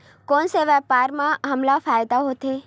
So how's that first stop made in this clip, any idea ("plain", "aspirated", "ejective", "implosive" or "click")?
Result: plain